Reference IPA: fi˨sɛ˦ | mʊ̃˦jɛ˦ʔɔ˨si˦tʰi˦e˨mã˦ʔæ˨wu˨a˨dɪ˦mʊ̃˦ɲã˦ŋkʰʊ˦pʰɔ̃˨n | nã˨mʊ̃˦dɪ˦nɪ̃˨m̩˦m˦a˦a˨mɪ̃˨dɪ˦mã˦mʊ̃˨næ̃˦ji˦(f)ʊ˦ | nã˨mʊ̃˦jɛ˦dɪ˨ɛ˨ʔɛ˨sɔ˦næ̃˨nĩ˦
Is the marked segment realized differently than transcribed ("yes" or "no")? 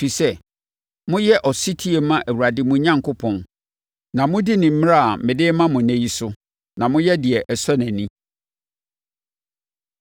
yes